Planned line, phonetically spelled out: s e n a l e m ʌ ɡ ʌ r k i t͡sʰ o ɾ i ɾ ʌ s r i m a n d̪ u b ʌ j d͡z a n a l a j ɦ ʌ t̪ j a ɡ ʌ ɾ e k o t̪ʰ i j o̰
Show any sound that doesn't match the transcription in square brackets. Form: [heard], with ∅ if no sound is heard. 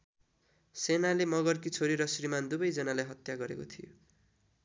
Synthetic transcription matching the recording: s e n a l e m ʌ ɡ ʌ r k i t͡sʰ o ɾ i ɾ ʌ s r i m a n d̪ u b ʌ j d͡z [ʌ] n a l a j ɦ ʌ t̪ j a ɡ ʌ ɾ e k o t̪ʰ i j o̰